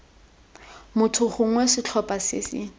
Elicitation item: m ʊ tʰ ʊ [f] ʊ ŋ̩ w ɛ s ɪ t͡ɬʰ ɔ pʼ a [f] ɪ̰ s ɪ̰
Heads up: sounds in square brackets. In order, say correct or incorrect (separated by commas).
incorrect, incorrect